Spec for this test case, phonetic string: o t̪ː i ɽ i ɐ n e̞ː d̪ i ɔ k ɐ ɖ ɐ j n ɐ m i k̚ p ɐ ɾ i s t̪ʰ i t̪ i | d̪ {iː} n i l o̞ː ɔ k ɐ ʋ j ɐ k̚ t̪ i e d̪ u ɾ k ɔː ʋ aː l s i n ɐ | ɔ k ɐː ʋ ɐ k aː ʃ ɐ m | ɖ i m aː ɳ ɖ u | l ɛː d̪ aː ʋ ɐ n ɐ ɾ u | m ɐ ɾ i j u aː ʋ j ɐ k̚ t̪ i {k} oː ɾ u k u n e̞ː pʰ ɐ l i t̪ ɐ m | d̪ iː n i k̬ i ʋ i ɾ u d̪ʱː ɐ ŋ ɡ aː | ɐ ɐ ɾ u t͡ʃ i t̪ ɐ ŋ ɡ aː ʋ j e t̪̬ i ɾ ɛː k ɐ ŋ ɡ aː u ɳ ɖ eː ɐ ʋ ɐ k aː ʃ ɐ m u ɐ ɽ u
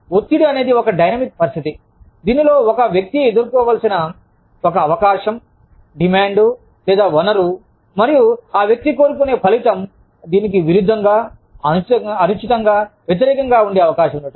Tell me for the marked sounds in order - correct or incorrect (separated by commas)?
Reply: correct, correct